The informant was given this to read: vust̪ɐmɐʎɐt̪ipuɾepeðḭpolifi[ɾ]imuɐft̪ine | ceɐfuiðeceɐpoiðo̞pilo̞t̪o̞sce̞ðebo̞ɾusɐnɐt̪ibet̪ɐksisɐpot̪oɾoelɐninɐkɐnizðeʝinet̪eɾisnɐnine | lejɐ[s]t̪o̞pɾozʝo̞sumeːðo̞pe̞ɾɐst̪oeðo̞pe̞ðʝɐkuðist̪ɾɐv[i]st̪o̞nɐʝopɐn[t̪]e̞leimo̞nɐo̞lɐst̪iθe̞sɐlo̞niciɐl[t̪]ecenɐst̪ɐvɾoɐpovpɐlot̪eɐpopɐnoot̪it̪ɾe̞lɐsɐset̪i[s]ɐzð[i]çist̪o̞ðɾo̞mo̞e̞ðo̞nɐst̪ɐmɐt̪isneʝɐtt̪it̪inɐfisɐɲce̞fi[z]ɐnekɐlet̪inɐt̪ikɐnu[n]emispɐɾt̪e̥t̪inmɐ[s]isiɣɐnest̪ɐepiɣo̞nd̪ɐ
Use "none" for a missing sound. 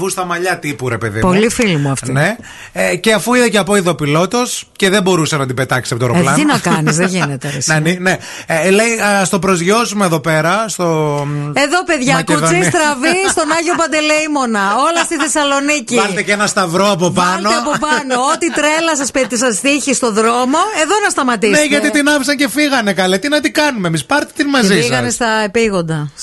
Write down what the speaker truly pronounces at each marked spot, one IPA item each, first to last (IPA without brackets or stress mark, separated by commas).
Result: l, s, i, d̪, t̪, s, i, ɣ, m, z